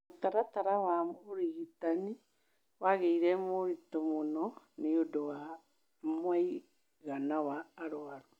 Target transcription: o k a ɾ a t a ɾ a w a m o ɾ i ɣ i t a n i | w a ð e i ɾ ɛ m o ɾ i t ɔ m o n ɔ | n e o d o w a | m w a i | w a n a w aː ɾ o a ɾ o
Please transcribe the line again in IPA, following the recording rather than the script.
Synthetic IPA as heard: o t a ɾ a t a ɾ a w a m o ɾ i ɣ i t a n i | w a ɣ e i ɾ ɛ m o ɾ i t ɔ m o n ɔ | n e o d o w a | m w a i | ɣ a n a w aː ɾ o a ɾ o